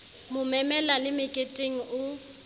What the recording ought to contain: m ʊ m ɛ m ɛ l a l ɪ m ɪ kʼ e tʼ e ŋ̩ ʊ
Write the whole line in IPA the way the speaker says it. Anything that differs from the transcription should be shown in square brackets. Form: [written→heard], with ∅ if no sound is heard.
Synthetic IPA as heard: m ʊ m ɛ m ɛ l a l ɪ m ɪ kʼ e tʼ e ŋ̩ ʊ